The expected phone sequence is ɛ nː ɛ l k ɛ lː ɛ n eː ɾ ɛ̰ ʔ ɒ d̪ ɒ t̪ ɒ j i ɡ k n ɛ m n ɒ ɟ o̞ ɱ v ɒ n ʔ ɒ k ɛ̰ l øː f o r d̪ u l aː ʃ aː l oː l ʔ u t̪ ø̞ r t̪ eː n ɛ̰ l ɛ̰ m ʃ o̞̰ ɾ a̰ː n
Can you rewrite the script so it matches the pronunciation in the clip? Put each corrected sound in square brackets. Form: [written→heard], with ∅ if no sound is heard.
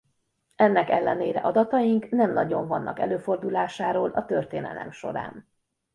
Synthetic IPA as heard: ɛ nː ɛ [l→∅] k ɛ lː ɛ n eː ɾ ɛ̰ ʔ ɒ d̪ ɒ t̪ ɒ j i [ɡ→ŋ] k n ɛ m n ɒ ɟ o̞ ɱ v ɒ [n→nː] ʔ ɒ k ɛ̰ l øː f o r d̪ u l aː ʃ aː [l→ɾ] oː l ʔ [u→ɒ] t̪ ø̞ r t̪ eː n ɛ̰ l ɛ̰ m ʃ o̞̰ ɾ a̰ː n

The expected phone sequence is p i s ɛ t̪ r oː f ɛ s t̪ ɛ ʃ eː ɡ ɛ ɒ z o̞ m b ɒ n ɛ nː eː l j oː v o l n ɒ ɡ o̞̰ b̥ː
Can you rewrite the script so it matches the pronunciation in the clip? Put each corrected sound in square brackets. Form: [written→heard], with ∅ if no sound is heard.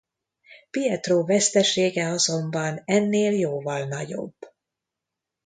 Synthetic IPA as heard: p i [s→∅] ɛ t̪ r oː [f→v] ɛ s t̪ ɛ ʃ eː ɡ ɛ ɒ z o̞ m b ɒ n ɛ nː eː l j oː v [o→ɒ] l n ɒ [ɡ→ɟ] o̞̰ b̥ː

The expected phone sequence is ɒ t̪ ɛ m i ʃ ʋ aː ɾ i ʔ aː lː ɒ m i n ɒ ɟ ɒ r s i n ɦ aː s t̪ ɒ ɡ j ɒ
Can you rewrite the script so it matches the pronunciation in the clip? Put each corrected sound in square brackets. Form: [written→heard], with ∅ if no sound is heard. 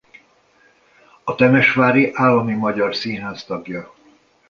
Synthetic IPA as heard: ɒ t̪ ɛ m [i→ɛ] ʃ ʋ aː ɾ i ʔ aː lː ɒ m i [n→m] ɒ ɟ ɒ r s i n ɦ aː s t̪ ɒ ɡ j ɒ

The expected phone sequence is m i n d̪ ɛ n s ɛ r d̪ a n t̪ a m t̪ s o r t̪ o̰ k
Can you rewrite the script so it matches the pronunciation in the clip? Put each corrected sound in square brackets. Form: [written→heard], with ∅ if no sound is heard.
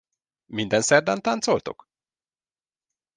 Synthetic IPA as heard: m i n d̪ ɛ n s ɛ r d̪ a n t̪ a [m→n] t̪ s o [r→l] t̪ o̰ k

